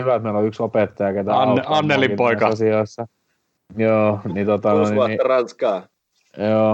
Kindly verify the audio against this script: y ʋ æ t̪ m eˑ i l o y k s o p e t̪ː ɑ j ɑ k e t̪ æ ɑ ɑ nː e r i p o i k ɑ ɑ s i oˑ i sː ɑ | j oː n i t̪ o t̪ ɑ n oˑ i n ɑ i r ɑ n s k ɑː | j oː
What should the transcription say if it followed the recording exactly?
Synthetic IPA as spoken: y ʋ æ t̪ m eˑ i l o y k s o p e t̪ː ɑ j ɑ k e t̪ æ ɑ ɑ nː e l i p o i k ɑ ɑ s i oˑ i sː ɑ | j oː n i t̪ o t̪ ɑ n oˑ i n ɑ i r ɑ n s k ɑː | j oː